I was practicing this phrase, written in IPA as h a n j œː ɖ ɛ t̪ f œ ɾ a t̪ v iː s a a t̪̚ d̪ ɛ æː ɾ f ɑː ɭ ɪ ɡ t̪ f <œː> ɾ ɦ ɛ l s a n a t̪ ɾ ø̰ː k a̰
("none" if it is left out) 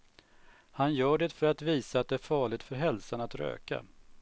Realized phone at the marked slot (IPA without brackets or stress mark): œ